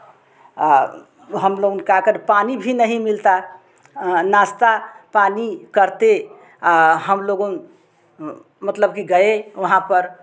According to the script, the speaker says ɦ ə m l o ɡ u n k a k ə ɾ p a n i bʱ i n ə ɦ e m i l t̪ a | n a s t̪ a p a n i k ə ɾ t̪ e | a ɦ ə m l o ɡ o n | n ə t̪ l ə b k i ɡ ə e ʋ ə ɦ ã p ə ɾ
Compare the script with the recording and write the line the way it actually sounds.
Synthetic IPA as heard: ɦ ə m l o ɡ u n k a k ə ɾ p a n i bʱ i n ə ɦ i m i l t̪ a | n a s t̪ a p a n i k ə ɾ t̪ e | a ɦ ə m l o ɡ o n | m ə t̪ l ə b k i ɡ ə e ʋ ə ɦ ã p ə ɾ